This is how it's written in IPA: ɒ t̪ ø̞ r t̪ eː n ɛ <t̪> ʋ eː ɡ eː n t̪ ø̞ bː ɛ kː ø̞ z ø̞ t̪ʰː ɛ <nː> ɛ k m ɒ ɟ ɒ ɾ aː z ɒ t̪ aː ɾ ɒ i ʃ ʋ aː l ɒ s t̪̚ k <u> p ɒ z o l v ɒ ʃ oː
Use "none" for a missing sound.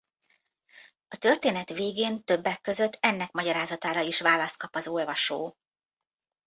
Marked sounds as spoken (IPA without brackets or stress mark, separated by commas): t̪, nː, ɒ